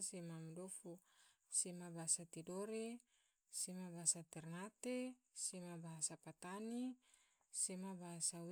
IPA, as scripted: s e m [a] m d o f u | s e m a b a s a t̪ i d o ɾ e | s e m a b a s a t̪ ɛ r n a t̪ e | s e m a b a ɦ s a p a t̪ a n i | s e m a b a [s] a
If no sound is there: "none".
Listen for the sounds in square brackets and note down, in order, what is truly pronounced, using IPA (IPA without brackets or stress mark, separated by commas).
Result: a, s